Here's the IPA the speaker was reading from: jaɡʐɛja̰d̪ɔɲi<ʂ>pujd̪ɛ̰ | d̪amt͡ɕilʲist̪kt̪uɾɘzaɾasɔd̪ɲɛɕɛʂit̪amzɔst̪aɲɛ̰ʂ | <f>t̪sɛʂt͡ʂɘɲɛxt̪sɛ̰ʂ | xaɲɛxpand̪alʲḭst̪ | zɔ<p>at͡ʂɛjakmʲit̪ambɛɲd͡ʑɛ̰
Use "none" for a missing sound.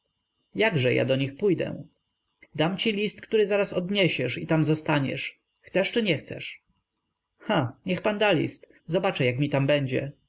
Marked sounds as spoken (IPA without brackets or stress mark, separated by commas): x, x, b